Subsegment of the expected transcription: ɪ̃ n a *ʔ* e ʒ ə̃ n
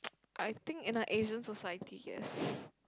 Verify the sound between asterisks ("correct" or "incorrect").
correct